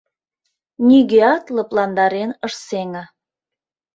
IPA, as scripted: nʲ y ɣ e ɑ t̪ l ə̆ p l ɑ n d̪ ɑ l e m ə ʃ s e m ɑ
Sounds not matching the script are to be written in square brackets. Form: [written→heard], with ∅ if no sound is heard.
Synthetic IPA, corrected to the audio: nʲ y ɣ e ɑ t̪ l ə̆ p l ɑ n d̪ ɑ [l→ɾ] e [m→n] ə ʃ s e [m→ŋ] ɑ